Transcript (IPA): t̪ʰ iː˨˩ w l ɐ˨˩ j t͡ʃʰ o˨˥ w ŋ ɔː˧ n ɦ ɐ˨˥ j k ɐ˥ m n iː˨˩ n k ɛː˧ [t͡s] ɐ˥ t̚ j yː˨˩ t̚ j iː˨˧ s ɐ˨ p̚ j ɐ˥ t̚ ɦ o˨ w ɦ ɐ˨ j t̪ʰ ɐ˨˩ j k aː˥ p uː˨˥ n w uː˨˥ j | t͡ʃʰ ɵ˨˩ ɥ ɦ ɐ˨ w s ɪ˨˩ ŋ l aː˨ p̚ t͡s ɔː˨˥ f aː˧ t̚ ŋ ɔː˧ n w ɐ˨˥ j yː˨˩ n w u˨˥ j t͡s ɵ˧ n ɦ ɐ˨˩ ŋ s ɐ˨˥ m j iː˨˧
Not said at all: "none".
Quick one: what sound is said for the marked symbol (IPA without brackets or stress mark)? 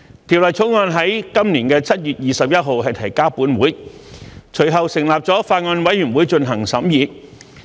t͡sʰ